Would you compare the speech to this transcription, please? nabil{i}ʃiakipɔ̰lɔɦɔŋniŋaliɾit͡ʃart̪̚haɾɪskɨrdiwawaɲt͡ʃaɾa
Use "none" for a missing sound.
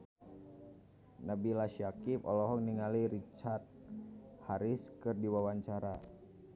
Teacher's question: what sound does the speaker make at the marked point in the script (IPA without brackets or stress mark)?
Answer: a